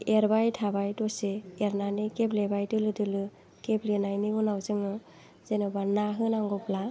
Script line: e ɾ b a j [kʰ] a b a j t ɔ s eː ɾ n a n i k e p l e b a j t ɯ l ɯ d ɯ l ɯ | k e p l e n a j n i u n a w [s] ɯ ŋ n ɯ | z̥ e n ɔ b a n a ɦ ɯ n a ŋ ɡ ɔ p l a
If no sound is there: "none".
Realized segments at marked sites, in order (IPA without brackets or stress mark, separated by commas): tʰ, z